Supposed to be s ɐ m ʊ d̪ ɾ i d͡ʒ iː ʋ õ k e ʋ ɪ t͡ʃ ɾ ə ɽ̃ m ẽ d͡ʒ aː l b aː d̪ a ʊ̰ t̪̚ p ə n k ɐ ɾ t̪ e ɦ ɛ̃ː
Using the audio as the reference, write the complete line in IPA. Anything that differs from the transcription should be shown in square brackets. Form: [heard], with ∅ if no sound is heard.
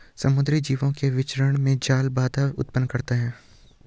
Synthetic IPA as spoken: s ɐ m ʊ d̪ ɾ i d͡ʒ iː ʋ õ k e ʋ ɪ t͡ʃ ɾ ə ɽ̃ m ẽ d͡ʒ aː l b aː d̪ a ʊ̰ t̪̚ p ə n k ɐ ɾ t̪ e ɦ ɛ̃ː